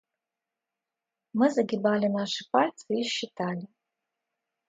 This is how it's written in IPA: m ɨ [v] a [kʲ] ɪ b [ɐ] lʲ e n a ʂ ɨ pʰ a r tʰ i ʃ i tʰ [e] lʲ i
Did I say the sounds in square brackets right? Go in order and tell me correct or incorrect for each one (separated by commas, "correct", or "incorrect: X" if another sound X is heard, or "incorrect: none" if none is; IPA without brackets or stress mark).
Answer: incorrect: z, incorrect: ɡʲ, incorrect: a, incorrect: a